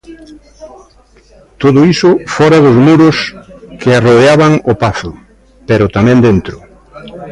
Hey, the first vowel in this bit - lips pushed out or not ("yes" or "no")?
yes